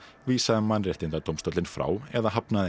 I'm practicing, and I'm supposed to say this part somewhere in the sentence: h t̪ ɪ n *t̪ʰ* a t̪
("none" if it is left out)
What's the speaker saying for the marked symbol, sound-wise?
t̪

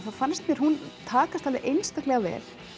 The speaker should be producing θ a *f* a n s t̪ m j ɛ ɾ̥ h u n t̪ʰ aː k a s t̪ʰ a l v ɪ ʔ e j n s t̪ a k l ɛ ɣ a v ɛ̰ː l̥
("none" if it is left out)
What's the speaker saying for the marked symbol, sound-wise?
f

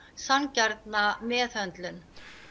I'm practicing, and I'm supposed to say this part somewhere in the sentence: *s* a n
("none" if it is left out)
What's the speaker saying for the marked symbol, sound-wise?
s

